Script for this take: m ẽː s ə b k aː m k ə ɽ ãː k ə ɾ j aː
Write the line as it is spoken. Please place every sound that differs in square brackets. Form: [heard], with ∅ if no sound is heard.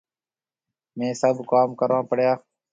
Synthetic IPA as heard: m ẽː s ə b k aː m k ə [ɾ] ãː [p] ə [ɽ] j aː

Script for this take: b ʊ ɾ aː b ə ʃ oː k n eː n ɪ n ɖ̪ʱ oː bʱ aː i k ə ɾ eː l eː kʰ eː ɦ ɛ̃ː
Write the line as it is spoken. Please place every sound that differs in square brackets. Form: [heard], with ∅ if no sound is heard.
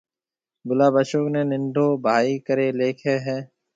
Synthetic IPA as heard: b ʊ [l] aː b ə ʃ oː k n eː n ɪ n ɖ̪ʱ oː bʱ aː i k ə ɾ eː l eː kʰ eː ɦ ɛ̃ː

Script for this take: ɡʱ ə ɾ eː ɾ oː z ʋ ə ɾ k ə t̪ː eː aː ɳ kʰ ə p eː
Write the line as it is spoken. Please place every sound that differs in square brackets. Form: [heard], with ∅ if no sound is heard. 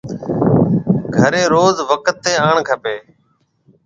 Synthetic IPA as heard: ɡʱ ə ɾ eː ɾ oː z ʋ ə [∅] k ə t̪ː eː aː ɳ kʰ ə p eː

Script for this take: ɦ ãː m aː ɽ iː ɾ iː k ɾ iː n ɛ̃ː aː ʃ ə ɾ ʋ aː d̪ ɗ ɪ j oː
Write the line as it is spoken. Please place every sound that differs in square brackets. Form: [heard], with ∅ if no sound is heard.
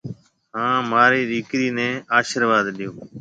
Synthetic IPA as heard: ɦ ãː m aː [ɾ] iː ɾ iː k ɾ iː n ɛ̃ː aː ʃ ə ɾ ʋ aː d̪ ɗ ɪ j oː

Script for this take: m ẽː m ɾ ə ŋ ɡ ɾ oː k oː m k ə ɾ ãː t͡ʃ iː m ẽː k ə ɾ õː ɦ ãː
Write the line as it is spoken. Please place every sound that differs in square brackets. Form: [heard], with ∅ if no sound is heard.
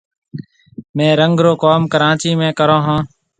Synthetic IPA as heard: m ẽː [∅] ɾ ə ŋ ɡ ɾ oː k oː m k ə ɾ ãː t͡ʃ iː m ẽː k ə ɾ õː ɦ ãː

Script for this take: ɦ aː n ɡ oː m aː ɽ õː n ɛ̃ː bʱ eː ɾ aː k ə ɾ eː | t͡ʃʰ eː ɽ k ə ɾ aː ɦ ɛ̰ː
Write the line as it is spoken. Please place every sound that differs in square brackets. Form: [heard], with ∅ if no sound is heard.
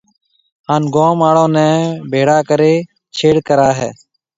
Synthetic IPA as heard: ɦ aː n ɡ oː m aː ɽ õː n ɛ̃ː bʱ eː [ɽ] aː k ə ɾ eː | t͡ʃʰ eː ɽ k ə ɾ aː ɦ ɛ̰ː

